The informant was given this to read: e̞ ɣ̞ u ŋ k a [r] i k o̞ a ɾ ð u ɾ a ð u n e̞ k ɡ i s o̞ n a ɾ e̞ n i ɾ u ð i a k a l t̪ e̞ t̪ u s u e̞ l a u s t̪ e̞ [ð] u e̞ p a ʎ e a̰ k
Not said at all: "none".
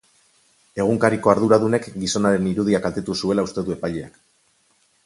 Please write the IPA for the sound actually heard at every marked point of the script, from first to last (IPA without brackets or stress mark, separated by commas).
ɾ, ð